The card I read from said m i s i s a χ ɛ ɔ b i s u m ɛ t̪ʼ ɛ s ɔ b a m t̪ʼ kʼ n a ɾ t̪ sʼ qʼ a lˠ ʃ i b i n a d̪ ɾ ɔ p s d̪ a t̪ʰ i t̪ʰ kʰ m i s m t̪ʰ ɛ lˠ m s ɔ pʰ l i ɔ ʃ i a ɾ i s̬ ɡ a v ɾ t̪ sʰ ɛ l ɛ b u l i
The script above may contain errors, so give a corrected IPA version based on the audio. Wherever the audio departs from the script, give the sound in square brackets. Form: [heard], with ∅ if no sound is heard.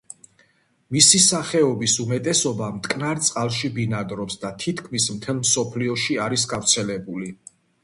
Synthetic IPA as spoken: m i s i s a χ ɛ ɔ b i s u m ɛ t̪ʼ ɛ s ɔ b a m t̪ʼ kʼ n a ɾ t̪ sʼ qʼ a lˠ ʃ i b i n a d̪ ɾ ɔ p s d̪ a t̪ʰ i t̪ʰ kʰ m i s m t̪ʰ ɛ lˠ m s ɔ pʰ l i ɔ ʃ i a ɾ i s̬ ɡ a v ɾ t̪ sʰ ɛ l ɛ b u l i

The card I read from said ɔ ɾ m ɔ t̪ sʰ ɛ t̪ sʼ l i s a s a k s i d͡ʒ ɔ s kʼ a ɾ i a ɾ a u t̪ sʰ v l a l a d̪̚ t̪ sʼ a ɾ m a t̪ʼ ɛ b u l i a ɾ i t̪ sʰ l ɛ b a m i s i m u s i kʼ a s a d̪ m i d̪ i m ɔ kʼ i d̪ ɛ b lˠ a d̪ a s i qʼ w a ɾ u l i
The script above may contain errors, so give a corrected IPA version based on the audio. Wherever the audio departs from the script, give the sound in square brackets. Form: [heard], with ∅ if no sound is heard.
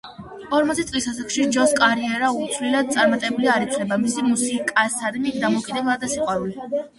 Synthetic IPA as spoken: ɔ ɾ m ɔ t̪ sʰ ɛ t̪ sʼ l i s a s a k [ʃ] i d͡ʒ ɔ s kʼ a ɾ i [ɛ] ɾ a u t̪ sʰ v l [i] l a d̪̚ t̪ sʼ a ɾ m a t̪ʼ ɛ b u l i a ɾ i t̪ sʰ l ɛ b a m i s i m u s i kʼ a s a d̪ m i d̪ [a] m ɔ kʼ i d̪ ɛ b lˠ a d̪ a s i qʼ w a ɾ u l i

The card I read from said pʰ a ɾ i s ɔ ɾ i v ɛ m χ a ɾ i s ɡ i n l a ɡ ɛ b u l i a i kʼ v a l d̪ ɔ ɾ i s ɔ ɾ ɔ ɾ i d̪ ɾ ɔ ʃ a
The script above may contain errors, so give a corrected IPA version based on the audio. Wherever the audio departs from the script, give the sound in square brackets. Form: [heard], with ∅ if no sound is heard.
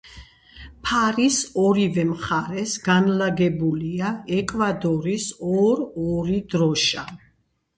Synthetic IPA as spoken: pʰ a ɾ i s ɔ ɾ i v ɛ m χ a ɾ [ɛ] s ɡ [a] n l a ɡ ɛ b u l i a [ɛ] kʼ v a [∅] d̪ ɔ ɾ i s ɔ ɾ ɔ ɾ i d̪ ɾ ɔ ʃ a

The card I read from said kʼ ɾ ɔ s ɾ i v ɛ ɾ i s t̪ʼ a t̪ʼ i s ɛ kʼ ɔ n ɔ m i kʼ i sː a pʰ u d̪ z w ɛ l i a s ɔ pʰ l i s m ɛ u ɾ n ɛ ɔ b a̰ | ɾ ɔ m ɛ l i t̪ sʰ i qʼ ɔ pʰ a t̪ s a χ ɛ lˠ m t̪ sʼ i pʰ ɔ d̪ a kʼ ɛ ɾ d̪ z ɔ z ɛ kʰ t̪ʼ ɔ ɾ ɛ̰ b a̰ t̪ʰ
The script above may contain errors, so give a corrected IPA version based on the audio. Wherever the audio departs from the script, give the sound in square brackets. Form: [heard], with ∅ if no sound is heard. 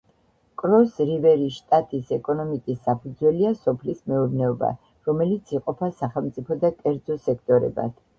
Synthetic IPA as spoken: kʼ ɾ ɔ s ɾ i v ɛ ɾ i [ʃ] t̪ʼ a t̪ʼ i s ɛ kʼ ɔ n ɔ m i kʼ i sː a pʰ u d̪ z w ɛ l i a s ɔ pʰ l i s m ɛ u ɾ n ɛ ɔ b a̰ | ɾ ɔ m ɛ l i t̪ sʰ i qʼ ɔ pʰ a [∅] s a χ ɛ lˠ m t̪ sʼ i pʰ ɔ d̪ a kʼ ɛ ɾ d̪ z ɔ [s] ɛ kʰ t̪ʼ ɔ ɾ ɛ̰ b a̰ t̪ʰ

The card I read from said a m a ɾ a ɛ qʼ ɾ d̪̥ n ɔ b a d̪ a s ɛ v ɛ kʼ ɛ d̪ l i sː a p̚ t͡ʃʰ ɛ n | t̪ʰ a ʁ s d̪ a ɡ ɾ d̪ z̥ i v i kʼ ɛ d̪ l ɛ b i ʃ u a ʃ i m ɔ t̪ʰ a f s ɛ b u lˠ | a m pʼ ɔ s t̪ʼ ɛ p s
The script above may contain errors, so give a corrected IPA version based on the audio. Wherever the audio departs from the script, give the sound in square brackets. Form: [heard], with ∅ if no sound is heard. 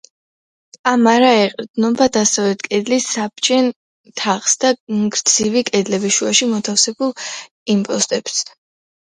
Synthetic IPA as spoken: a m a ɾ a ɛ qʼ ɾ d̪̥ n ɔ b a d̪ a s ɛ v ɛ kʼ ɛ d̪ l i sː a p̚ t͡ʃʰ ɛ n | t̪ʰ a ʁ s d̪ a ɡ ɾ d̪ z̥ i v i kʼ ɛ d̪ l ɛ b i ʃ u a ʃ i m ɔ t̪ʰ a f s ɛ b u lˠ | [i] m pʼ ɔ s t̪ʼ ɛ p s

